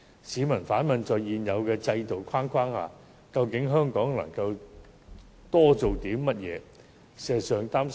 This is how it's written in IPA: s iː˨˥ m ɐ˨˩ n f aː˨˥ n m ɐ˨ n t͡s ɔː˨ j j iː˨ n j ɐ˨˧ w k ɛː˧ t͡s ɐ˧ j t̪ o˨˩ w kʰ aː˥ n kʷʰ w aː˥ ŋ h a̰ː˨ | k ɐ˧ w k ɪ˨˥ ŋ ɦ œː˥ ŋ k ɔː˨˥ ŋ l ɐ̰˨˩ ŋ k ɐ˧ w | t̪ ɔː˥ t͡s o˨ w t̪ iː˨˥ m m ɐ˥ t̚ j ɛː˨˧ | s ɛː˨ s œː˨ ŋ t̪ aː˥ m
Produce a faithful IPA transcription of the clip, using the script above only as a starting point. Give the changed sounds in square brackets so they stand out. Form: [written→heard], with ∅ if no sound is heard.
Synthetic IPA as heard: s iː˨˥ m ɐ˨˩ n f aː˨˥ n m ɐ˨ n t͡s ɔː˨ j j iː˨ n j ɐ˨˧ w k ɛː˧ t͡s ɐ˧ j t̪ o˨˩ w kʰ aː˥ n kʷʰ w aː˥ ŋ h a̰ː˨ | k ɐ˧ w k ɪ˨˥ ŋ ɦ œː˥ ŋ k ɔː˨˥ ŋ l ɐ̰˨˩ ŋ k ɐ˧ w | t̪ ɔː˥ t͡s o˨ w t̪ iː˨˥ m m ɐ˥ t̚ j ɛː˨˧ | s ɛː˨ s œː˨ ŋ t̪ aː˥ m